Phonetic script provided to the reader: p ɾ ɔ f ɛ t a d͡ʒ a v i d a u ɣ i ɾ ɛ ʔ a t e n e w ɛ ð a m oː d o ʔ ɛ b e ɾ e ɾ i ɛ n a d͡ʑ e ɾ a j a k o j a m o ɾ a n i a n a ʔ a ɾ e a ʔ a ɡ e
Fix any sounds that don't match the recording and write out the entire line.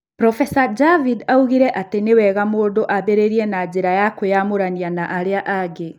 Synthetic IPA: p ɾ ɔ f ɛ s a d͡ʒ a v i d a u ɣ i ɾ ɛ ʔ a t e n e w ɛ ɣ a m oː d o ʔ a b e ɾ e ɾ i ɛ n a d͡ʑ e ɾ a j a k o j a m o ɾ a n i a n a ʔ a ɾ e a ʔ a ɡ e